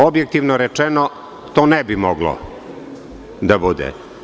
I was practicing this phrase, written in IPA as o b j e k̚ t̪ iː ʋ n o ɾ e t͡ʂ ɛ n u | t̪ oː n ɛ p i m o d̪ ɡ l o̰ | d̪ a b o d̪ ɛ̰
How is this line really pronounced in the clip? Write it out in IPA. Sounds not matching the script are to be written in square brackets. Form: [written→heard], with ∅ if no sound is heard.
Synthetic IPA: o b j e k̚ t̪ [iː→i] ʋ n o ɾ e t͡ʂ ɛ n [u→o] | t̪ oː n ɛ [p→b] i m o [d̪→∅] ɡ l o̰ | d̪ a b [o→u] d̪ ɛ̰